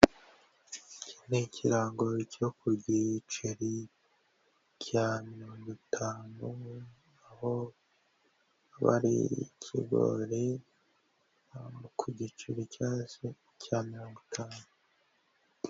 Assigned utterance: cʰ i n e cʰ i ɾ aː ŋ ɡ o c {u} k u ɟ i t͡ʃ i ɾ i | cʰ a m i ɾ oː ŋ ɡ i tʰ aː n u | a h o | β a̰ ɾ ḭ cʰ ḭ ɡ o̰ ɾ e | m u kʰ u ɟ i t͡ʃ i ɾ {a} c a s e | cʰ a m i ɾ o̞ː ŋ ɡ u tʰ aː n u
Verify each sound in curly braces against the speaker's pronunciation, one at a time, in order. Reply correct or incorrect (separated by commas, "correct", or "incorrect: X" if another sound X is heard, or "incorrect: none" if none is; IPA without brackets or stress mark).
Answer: incorrect: o, incorrect: i